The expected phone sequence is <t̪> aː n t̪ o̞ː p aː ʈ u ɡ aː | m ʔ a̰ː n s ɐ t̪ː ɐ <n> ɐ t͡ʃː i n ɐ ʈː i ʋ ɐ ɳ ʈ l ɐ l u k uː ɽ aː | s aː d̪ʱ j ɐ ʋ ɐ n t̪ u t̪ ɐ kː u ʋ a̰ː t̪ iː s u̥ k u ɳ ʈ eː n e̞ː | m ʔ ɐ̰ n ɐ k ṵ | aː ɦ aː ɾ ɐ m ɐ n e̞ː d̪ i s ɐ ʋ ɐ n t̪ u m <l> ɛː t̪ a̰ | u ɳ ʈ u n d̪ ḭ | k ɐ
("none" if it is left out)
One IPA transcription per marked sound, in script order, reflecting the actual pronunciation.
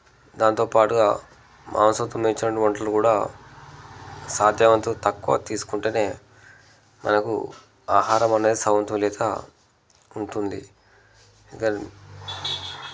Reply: d̪, m, l

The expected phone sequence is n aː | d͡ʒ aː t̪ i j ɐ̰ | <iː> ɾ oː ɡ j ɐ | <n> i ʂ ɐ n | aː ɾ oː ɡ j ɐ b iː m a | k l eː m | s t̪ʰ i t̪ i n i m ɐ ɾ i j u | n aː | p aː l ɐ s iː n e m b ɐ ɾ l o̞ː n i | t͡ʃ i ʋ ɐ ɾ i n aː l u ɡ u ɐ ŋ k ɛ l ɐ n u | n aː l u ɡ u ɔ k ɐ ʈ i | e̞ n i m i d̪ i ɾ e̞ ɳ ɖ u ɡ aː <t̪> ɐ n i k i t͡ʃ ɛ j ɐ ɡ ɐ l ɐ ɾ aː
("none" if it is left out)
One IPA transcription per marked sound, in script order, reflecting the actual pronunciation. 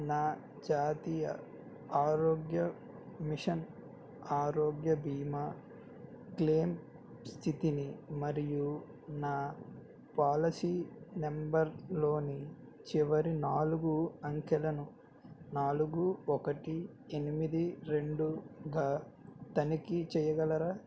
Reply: aː, m, t̪

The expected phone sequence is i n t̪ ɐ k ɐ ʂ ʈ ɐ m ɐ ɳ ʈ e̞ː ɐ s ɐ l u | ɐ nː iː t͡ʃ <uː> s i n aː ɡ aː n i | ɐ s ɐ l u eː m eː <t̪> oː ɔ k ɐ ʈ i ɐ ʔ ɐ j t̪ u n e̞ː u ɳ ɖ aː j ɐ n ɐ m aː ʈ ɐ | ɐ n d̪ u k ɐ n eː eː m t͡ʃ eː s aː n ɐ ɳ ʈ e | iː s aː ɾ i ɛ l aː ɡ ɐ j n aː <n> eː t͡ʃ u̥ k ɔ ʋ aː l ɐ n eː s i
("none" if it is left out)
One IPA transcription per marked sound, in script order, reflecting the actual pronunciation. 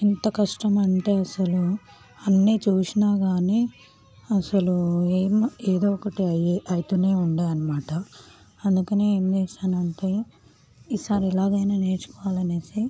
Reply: uː, d̪, n

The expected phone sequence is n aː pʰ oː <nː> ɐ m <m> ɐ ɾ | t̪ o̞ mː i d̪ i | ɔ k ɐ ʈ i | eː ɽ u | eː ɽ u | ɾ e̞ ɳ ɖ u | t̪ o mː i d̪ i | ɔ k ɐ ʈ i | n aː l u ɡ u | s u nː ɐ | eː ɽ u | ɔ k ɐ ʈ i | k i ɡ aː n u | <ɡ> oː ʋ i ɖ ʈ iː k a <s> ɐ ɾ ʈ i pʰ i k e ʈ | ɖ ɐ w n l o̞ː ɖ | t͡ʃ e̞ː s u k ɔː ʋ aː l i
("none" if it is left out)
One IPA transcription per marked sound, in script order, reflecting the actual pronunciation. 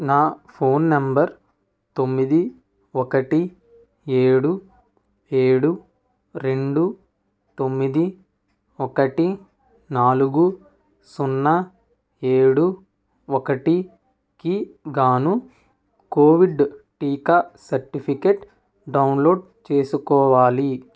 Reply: nː, b, k, s

